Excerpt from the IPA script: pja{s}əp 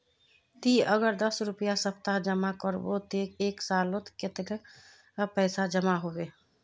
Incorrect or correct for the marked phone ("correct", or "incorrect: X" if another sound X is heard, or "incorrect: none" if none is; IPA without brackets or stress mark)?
correct